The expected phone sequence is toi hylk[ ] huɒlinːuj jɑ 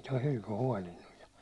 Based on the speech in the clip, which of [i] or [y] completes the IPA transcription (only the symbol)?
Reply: y